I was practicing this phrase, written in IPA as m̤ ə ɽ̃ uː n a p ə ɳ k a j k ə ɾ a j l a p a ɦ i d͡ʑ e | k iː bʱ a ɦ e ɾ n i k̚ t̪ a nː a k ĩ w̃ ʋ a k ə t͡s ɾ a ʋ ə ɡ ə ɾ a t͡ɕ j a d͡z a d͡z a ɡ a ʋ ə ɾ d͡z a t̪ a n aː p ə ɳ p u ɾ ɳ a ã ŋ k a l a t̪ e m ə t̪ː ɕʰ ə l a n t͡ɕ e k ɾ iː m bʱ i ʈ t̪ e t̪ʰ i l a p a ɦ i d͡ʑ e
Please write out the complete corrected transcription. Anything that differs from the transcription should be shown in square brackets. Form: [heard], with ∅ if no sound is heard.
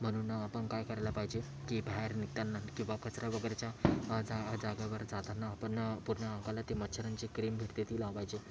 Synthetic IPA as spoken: m̤ ə ɽ̃ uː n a p ə ɳ k a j k ə ɾ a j l a p a ɦ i d͡ʑ e | k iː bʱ a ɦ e ɾ n i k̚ t̪ a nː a k ĩ w̃ ʋ a k ə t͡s ɾ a ʋ ə ɡ ə ɾ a t͡ɕ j a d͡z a d͡z a ɡ a ʋ ə ɾ d͡z a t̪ a n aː p ə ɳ p u ɾ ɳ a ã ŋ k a l a t̪ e m ə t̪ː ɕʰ ə [ɾ] a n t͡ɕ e k ɾ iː m bʱ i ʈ t̪ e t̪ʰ [iː] l a p a ɦ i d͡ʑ e